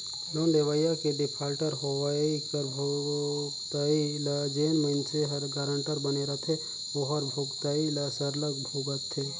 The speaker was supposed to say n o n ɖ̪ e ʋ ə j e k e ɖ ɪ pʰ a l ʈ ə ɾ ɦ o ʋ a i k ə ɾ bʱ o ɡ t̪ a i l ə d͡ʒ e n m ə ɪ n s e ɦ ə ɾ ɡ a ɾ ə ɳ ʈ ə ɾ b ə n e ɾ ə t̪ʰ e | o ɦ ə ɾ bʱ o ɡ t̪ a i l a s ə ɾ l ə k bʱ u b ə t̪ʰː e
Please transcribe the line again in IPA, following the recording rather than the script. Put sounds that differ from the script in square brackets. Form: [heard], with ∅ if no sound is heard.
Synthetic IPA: n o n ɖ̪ e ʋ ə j [a] k e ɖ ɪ pʰ a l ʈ ə ɾ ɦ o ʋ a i k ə ɾ bʱ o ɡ t̪ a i l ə d͡ʒ e n m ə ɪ n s e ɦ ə ɾ ɡ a ɾ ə ɳ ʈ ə ɾ b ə n e ɾ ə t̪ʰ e | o ɦ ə ɾ bʱ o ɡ t̪ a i l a s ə ɾ l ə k bʱ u [ɡ] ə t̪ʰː e